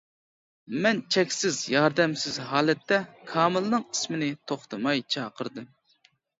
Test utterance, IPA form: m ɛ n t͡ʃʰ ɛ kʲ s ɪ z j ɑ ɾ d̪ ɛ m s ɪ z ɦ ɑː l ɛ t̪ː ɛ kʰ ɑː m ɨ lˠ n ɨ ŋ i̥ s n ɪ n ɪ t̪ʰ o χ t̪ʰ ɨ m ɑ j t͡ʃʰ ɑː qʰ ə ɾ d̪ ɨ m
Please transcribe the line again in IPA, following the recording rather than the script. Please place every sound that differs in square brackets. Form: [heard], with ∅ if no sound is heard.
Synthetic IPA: m ɛ n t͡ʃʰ ɛ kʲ s ɪ z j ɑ ɾ d̪ ɛ m s ɪ z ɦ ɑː l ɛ t̪ː ɛ kʰ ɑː m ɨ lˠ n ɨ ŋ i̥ s [m] ɪ n ɪ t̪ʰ o χ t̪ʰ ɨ m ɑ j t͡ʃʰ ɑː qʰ ə ɾ d̪ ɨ m